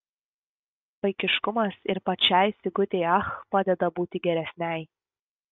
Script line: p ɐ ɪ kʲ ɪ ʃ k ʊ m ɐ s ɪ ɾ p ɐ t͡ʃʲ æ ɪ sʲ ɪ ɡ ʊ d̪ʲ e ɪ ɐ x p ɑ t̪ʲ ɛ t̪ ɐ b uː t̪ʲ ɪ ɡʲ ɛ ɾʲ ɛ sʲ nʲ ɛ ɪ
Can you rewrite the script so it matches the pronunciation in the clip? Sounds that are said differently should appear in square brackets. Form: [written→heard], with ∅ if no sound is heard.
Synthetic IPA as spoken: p ɐ ɪ kʲ ɪ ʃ k ʊ m ɐ s ɪ ɾ p ɐ t͡ʃʲ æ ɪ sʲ ɪ ɡ ʊ [d̪ʲ→t̪ʲ] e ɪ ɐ x p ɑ [t̪ʲ→d̪ʲ] ɛ [t̪→d̪] ɐ b uː t̪ʲ ɪ ɡʲ ɛ ɾʲ ɛ sʲ nʲ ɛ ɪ